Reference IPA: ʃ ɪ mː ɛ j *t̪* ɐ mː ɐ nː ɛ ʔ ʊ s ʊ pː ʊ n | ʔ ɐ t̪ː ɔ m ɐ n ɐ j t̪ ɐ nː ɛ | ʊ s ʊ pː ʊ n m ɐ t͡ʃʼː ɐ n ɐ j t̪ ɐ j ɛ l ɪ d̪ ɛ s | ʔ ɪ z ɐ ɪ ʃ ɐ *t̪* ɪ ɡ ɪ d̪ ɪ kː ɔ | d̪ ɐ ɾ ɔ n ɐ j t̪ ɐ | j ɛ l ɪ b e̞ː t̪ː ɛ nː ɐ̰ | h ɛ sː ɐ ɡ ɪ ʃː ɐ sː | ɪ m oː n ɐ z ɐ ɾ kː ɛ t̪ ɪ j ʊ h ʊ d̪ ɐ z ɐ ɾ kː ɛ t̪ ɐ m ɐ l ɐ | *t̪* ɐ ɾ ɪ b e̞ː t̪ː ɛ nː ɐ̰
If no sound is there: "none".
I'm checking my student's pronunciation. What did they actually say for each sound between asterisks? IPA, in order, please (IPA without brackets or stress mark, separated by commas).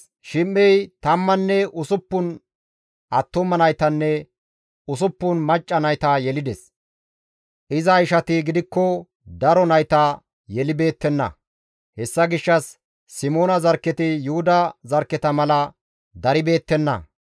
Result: t̪, t̪, d̪